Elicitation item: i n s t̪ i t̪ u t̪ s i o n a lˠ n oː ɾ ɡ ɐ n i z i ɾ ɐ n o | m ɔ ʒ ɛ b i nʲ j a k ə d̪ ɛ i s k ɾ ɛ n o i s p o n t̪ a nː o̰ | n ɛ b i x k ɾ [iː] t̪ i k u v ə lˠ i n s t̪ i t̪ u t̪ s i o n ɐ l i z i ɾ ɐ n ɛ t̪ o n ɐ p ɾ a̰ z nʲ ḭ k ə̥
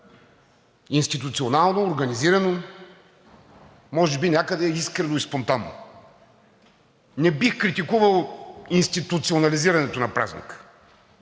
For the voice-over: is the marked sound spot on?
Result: no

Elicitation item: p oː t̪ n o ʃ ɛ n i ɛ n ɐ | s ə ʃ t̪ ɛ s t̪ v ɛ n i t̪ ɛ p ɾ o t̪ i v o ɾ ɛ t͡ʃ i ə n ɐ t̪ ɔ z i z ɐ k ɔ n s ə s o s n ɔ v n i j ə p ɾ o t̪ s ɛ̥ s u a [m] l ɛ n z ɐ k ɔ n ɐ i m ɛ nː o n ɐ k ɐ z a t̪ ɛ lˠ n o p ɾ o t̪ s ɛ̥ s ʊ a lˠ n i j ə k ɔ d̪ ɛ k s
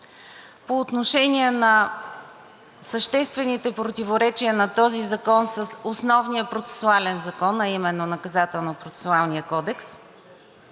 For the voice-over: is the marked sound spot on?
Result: no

